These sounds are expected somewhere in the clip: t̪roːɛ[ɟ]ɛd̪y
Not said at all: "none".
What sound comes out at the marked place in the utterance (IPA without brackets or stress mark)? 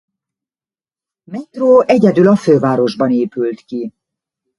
ɟ